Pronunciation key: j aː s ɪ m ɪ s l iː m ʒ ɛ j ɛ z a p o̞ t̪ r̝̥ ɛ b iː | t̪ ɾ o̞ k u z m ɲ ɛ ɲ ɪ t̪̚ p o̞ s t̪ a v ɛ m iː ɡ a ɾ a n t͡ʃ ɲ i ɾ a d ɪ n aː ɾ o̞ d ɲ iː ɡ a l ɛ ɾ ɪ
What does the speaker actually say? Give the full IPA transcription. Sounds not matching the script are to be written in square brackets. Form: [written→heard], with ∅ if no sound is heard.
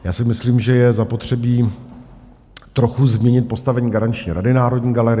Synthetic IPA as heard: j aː s ɪ m ɪ s l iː m ʒ ɛ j ɛ z a p o̞ t̪ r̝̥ ɛ b iː | t̪ ɾ o̞ [k→x] u z m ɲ ɛ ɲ ɪ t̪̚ p o̞ s t̪ a v ɛ [m→ɲ] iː ɡ a ɾ a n t͡ʃ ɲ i ɾ a d ɪ n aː ɾ o̞ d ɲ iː ɡ a l ɛ ɾ ɪ

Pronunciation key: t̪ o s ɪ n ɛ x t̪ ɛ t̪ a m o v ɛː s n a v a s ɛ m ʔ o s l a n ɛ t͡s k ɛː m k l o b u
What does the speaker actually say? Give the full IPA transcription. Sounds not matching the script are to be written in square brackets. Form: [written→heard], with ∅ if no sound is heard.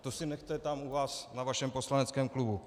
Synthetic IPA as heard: t̪ o s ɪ n ɛ x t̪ ɛ t̪ a m [o→u] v [ɛː→aː] s n a v a [s→ʃ] ɛ m [ʔ→p] o s l a n ɛ t͡s k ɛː m k l [o→u] b u

